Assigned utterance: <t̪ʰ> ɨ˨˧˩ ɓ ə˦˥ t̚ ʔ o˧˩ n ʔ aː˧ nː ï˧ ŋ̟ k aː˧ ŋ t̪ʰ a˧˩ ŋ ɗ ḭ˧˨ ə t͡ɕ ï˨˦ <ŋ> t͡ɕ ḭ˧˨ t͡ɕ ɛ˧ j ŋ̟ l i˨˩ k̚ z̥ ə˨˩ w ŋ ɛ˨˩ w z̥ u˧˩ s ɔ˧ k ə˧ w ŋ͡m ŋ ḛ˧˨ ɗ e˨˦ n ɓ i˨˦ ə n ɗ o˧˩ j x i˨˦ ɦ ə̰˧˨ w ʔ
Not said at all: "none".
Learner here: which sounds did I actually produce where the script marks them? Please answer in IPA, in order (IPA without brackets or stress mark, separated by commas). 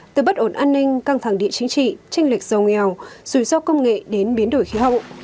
t̪, ŋ